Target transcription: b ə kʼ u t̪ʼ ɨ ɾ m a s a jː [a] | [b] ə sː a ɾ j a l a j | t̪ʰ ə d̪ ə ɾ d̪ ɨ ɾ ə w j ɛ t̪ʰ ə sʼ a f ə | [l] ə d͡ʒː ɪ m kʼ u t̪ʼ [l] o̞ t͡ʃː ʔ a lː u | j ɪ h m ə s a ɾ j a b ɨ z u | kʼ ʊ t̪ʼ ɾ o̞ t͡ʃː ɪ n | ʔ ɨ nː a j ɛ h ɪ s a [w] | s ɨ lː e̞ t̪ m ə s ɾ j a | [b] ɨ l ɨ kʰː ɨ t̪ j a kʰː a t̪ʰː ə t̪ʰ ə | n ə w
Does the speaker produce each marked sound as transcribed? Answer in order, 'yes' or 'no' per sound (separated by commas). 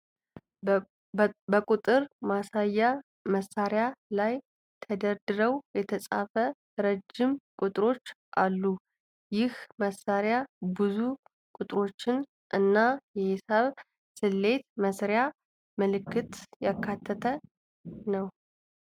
yes, no, no, no, no, no